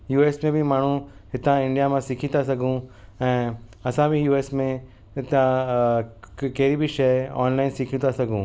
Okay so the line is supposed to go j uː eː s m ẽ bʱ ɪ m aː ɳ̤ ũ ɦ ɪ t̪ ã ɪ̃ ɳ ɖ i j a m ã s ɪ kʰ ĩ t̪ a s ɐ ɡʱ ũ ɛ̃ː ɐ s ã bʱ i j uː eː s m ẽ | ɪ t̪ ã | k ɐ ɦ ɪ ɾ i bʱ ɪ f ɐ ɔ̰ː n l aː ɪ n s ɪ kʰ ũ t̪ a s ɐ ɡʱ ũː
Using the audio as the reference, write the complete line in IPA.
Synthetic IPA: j uː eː s m ẽ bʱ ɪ m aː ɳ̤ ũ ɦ ɪ t̪ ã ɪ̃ ɳ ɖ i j a m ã s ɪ kʰ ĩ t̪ a s ɐ ɡʱ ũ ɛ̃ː ɐ s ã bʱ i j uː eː s m ẽ | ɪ t̪ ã | k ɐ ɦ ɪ ɾ i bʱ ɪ ʃ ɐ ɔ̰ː n l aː ɪ n s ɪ kʰ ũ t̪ a s ɐ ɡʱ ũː

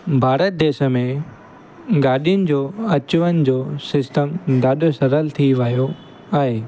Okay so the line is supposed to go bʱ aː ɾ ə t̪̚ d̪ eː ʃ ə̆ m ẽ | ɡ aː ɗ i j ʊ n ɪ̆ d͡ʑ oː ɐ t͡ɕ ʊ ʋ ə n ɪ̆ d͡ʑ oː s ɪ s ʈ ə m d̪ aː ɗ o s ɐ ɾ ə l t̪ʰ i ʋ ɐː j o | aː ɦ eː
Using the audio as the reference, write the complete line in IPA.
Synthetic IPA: bʱ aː ɾ ə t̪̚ d̪ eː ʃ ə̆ m ẽ | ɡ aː ɗ i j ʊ n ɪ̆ d͡ʑ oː ɐ t͡ɕ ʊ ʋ ə n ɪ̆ d͡ʑ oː s ɪ s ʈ ə m d̪ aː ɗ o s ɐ ɾ ə l t̪ʰ i ʋ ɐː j o | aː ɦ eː

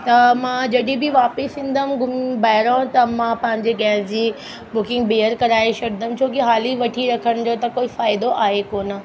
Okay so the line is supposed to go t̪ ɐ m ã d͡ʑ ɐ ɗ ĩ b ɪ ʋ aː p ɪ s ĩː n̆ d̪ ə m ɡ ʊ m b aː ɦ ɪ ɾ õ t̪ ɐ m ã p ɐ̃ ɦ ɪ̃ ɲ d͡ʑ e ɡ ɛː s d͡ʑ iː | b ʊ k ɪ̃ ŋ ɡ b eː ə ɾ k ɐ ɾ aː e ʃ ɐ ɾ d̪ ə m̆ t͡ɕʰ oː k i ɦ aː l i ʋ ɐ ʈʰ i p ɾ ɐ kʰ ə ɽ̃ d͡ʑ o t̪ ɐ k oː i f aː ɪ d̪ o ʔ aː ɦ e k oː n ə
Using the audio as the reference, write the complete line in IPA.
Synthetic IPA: t̪ ɐ m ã d͡ʑ ɐ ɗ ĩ b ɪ ʋ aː p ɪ s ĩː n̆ d̪ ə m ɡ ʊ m b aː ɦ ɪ ɾ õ t̪ ɐ m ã p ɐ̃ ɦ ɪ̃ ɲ d͡ʑ e ɡ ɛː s d͡ʑ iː | b ʊ k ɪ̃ ŋ ɡ b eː ə ɾ k ɐ ɾ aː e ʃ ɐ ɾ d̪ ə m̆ t͡ɕʰ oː k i ɦ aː l i ʋ ɐ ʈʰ i ɾ ɐ kʰ ə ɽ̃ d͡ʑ o t̪ ɐ k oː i f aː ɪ d̪ o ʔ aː ɦ e k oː n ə

